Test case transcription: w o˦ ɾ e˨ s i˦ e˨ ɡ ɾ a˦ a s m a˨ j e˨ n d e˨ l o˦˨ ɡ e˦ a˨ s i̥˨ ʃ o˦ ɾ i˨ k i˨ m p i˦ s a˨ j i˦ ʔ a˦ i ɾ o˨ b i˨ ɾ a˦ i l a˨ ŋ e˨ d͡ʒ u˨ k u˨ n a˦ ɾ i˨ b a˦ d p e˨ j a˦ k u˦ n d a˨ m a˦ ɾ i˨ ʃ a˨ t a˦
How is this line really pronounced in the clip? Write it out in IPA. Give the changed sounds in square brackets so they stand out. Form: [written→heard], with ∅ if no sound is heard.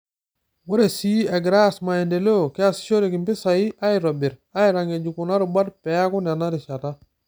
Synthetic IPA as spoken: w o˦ ɾ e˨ s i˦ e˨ ɡ ɾ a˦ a s m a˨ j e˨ n d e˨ l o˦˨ [ɡ→k] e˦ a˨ s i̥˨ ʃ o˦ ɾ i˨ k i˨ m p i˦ s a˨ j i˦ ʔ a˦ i ɾ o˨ b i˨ ɾ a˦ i [l→ɾ] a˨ ŋ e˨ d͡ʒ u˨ k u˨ n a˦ ɾ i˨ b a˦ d p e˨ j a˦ k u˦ n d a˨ [m→n] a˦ ɾ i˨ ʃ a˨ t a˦